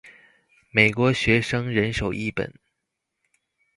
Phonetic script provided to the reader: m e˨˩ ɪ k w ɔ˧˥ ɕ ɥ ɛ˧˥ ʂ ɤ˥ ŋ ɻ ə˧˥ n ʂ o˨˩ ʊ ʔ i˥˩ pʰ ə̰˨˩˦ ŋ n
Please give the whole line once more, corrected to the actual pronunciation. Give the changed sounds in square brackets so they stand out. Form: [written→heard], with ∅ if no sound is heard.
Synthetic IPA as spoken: m e˨˩ ɪ k w ɔ˧˥ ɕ ɥ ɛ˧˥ ʂ ɤ˥ ŋ ɻ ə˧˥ n ʂ o˨˩ ʊ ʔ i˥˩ [pʰ→p] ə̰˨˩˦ [ŋ→∅] n